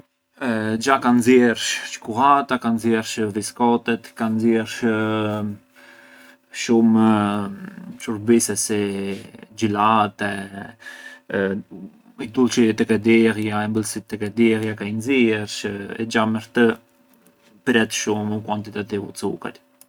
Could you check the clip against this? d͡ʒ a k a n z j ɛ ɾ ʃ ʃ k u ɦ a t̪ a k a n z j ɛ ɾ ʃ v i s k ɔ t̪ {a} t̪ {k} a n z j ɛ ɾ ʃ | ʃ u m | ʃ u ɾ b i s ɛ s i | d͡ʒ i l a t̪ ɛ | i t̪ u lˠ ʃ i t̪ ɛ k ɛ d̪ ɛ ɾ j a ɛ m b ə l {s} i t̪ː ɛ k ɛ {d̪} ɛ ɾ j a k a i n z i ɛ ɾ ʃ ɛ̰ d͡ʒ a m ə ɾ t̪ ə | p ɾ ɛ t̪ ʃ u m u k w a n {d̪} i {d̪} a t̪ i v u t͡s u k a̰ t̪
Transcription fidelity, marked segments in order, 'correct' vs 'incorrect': incorrect, correct, correct, correct, incorrect, incorrect

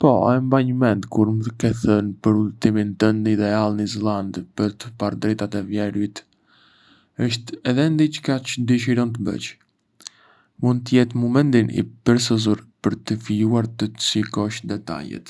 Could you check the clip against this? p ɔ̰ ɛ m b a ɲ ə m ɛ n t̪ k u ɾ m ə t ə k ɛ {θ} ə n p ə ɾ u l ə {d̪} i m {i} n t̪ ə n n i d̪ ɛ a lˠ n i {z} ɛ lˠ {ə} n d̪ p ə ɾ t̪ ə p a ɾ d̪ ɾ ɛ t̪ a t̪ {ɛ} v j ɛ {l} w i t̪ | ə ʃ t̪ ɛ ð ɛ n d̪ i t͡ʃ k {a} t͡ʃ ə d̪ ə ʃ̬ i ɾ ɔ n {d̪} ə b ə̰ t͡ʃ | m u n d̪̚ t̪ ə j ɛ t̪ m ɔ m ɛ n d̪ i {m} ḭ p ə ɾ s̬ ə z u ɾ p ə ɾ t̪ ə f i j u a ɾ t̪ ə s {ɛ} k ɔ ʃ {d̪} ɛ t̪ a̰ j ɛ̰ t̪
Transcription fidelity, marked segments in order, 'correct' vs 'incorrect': correct, incorrect, correct, correct, incorrect, correct, incorrect, correct, incorrect, incorrect, incorrect, correct

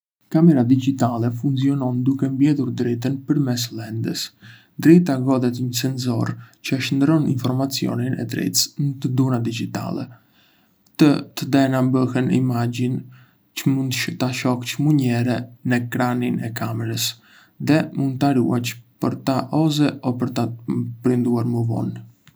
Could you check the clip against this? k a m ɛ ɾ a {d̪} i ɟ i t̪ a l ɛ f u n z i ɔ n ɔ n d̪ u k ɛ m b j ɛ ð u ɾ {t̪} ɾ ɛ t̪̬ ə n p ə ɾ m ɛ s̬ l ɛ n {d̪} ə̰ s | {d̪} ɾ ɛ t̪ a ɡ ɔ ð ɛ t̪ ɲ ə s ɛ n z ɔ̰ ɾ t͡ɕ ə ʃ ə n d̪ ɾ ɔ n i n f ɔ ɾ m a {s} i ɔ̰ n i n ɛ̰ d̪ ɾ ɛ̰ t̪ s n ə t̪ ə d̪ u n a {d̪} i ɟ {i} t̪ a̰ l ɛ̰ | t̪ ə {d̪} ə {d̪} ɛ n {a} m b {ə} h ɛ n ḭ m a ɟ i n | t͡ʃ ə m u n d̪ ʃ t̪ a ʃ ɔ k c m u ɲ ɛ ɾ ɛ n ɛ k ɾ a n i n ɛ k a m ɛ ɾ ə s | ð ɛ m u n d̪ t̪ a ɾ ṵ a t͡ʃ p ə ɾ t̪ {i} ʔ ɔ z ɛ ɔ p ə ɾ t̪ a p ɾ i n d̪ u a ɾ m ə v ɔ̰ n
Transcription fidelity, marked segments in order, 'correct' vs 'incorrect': correct, incorrect, correct, correct, incorrect, correct, correct, incorrect, correct, correct, correct, incorrect

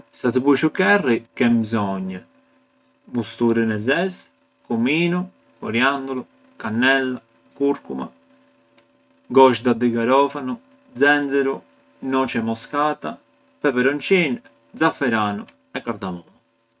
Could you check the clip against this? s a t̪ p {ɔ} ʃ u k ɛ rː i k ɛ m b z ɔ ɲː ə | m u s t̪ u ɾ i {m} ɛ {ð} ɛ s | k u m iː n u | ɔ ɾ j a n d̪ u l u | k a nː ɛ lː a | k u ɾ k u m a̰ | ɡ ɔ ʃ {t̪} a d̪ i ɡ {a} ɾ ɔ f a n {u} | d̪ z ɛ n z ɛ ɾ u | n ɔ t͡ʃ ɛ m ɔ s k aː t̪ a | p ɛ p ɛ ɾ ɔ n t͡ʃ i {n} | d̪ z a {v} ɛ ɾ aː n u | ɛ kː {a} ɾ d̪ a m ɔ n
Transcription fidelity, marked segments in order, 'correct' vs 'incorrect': incorrect, incorrect, incorrect, incorrect, correct, correct, correct, incorrect, correct

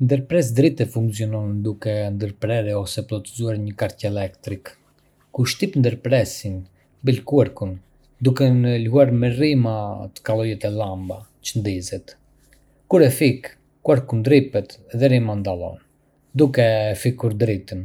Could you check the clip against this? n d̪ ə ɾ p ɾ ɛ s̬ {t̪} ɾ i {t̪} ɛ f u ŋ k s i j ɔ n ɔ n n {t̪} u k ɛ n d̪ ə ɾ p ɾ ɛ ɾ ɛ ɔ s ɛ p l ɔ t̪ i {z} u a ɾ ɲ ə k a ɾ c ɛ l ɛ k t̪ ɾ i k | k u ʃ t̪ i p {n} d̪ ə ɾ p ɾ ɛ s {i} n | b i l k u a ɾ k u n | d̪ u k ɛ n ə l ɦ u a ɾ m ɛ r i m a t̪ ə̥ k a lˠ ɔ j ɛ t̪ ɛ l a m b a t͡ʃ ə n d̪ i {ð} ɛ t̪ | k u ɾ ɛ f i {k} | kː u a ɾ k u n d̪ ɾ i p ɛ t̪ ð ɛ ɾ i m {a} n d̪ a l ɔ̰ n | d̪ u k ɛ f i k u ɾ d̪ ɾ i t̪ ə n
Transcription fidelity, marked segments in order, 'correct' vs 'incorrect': incorrect, correct, incorrect, correct, correct, correct, incorrect, correct, correct

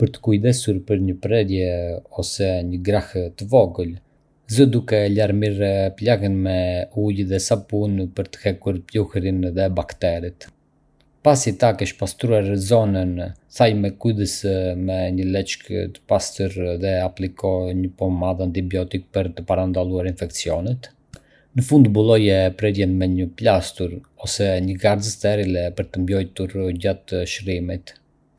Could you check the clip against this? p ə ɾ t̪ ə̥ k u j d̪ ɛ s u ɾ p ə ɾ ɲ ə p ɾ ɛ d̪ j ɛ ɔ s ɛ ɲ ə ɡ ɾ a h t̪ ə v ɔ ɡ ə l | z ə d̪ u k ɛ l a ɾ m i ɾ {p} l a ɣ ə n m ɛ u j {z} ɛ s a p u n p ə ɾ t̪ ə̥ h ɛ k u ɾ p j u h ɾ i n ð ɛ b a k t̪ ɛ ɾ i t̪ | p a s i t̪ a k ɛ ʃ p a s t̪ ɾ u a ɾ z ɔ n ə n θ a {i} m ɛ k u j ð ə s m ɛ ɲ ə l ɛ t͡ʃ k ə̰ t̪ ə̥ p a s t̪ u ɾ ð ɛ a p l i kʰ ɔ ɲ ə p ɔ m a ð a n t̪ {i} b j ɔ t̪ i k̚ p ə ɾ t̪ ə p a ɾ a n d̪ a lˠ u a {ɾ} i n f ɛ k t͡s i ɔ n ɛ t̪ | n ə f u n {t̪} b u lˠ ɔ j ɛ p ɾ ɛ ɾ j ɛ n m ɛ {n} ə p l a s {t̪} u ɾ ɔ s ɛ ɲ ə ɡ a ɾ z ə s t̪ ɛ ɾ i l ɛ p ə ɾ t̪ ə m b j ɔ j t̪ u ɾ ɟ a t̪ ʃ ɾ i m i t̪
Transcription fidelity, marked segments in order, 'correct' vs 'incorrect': correct, incorrect, incorrect, correct, correct, incorrect, incorrect, correct

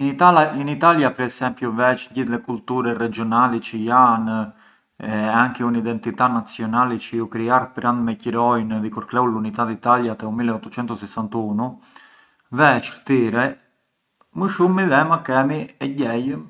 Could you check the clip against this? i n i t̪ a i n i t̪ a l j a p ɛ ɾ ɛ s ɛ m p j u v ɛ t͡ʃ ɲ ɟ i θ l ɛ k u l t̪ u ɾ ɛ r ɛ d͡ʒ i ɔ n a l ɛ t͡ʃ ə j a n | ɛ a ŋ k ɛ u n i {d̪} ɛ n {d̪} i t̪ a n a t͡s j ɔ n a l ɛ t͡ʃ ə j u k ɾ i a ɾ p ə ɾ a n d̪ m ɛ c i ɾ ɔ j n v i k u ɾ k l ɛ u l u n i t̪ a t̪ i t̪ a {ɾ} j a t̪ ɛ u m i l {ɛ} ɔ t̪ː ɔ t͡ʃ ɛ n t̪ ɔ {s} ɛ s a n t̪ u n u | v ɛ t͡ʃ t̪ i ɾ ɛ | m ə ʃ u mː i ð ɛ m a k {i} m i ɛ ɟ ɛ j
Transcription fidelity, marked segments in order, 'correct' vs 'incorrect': correct, incorrect, incorrect, correct, correct, incorrect

